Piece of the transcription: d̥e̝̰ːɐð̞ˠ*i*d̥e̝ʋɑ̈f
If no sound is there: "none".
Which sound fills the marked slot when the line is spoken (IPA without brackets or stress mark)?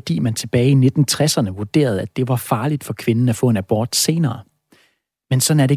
æ